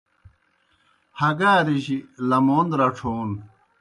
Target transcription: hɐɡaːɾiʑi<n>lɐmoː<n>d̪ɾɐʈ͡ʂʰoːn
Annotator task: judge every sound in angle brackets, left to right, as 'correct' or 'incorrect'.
incorrect: none, correct

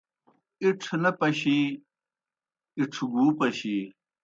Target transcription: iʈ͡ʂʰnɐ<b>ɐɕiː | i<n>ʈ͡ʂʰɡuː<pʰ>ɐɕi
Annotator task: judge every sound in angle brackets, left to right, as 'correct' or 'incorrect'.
incorrect: p, incorrect: none, incorrect: p

